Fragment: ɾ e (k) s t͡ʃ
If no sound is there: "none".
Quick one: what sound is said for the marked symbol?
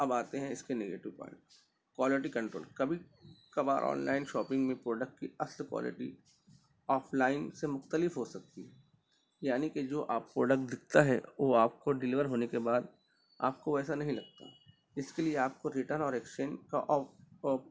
k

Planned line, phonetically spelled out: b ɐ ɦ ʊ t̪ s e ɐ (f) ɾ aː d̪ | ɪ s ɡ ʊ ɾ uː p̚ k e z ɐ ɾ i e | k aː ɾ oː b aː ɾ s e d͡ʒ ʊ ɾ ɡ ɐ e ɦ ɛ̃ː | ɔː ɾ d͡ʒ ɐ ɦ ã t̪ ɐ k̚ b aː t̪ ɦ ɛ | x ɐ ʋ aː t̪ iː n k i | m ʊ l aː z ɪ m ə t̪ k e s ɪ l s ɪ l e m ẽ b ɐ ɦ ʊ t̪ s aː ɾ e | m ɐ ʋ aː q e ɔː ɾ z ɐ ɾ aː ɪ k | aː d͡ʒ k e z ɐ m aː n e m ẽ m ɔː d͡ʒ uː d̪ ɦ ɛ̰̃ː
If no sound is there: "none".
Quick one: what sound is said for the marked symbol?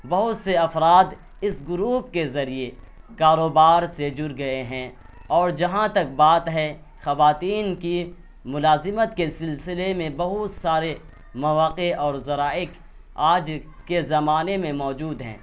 f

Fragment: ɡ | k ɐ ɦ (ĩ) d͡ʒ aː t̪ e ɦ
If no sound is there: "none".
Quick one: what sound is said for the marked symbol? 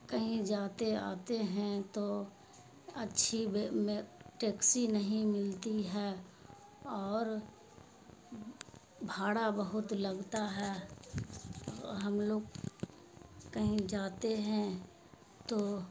ĩ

